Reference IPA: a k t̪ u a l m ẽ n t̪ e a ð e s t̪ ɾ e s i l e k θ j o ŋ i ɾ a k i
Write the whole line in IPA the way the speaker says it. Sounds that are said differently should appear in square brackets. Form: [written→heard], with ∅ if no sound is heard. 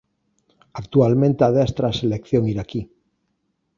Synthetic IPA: a k t̪ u a l m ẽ n t̪ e a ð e s t̪ ɾ [e→a] s [i→e] l e k θ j o ŋ i ɾ a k i

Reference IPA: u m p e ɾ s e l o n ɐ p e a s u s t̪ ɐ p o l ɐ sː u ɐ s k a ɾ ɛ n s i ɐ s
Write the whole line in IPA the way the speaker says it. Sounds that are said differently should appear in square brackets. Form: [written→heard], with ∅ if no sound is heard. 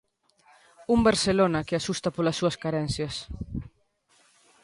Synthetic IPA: u m [p→b] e ɾ s e l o n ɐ [p→k] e a s u s t̪ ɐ p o l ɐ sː u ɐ s k a ɾ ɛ n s [i→j] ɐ s

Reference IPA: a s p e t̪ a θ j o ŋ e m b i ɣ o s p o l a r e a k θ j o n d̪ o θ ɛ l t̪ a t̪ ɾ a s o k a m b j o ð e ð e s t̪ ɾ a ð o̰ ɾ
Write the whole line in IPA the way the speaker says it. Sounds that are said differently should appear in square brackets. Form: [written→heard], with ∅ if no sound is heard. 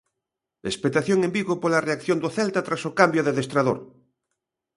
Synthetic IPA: [a→e] s p e t̪ a θ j o ŋ e m b i ɣ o [s→∅] p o l a r e a k θ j o n d̪ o θ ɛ l t̪ a t̪ ɾ a s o k a m b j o ð e ð e s t̪ ɾ a ð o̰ ɾ

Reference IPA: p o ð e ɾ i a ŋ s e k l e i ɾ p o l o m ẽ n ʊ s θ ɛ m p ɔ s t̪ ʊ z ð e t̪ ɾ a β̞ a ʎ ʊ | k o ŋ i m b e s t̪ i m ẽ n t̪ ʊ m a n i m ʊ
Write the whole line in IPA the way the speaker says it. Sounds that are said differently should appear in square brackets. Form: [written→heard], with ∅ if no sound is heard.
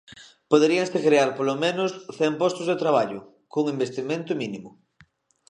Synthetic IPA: p o ð e ɾ i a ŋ s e k [l→ɾ] e [i→a] ɾ p o l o m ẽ n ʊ s θ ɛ m p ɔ s t̪ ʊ z ð e t̪ ɾ a β̞ a ʎ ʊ | k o ŋ i m b e s t̪ i m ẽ n t̪ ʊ m [a→i] n i m ʊ

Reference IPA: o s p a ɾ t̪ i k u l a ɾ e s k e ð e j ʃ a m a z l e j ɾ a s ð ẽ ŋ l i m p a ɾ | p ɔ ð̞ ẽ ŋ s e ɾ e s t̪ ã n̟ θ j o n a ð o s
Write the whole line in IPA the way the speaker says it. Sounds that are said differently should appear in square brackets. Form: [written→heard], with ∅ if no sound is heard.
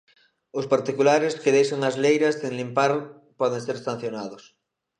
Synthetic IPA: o s p a ɾ t̪ i k u l a ɾ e s k e ð e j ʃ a [m→ŋ] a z l e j ɾ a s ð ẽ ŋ l i m p a ɾ | p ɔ ð̞ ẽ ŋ s e ɾ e s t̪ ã n̟ θ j o n a ð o s

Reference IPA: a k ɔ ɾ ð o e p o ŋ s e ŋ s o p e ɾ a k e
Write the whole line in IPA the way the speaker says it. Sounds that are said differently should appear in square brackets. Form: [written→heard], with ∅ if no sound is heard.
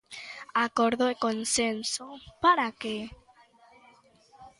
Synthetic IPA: a k [ɔ→o] ɾ ð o e [p→k] o [ŋ→n] s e [ŋ→n] s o p [e→a] ɾ a k e

